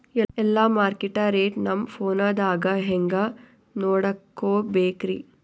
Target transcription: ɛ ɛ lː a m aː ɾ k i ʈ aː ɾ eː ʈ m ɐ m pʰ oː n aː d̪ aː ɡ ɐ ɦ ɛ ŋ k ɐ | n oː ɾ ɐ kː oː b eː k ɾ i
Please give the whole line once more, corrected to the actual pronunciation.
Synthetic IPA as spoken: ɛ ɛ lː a m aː ɾ k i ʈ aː ɾ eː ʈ n ɐ m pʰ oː n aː d̪ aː ɡ ɐ ɦ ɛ ŋ ɡ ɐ | n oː ɽ ɐ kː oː b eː k ɾ i